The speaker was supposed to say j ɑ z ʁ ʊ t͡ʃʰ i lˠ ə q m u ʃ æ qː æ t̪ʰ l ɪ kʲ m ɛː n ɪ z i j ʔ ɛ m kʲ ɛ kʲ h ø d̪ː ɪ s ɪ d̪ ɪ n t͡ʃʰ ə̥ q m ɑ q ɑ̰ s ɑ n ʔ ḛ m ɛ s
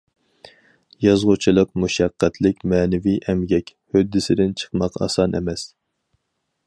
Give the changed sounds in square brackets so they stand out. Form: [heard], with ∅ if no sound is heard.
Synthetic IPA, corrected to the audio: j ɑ z ʁ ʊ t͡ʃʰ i lˠ ə q m u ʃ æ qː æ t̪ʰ l ɪ kʲ m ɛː n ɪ [v] i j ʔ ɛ m [ɡʲ] ɛ kʲ h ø d̪ː ɪ s ɪ d̪ ɪ n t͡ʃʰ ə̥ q m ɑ q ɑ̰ s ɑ n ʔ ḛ m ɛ s